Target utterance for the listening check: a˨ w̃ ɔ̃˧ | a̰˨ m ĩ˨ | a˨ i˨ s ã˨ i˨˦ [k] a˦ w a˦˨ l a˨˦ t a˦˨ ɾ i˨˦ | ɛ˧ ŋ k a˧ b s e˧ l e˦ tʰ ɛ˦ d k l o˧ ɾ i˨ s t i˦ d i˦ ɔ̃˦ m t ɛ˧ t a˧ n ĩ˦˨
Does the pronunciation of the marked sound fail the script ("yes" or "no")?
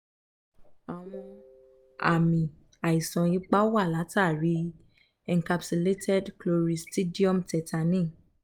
yes